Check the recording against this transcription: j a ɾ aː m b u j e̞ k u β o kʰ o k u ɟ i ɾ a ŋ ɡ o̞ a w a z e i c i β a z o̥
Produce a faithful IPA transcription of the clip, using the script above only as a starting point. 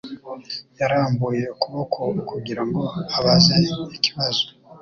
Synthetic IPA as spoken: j a ɾ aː m b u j e̞ k u β o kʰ o k u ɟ i ɾ a ŋ ɡ o̞ a β a z e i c i β a z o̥